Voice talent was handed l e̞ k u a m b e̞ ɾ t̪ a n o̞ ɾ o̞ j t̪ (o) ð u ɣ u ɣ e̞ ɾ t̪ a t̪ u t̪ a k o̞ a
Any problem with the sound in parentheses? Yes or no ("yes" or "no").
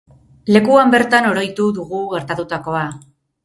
yes